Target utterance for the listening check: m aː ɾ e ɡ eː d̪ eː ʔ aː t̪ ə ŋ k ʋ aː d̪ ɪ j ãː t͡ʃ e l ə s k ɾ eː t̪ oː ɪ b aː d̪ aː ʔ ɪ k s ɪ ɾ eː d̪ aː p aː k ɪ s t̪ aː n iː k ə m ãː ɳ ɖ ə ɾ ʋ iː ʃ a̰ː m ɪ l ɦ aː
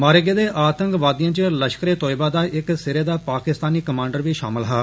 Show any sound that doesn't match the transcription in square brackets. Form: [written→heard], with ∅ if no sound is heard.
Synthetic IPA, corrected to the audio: m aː ɾ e ɡ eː d̪ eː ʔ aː t̪ ə ŋ k ʋ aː d̪ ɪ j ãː t͡ʃ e l ə [s→ʃ] k ɾ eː t̪ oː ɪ b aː d̪ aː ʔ ɪ k s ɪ ɾ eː d̪ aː p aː k ɪ s t̪ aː n iː k ə m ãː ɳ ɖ ə ɾ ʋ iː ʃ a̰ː m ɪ l ɦ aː